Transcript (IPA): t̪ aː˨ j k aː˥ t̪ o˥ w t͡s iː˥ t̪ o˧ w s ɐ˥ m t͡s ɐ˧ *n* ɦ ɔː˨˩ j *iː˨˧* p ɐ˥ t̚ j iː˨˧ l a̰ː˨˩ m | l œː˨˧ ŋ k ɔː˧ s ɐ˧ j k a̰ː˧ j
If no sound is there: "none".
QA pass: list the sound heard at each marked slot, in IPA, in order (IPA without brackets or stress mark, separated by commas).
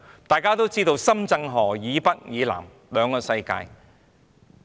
ŋ, iː˨˧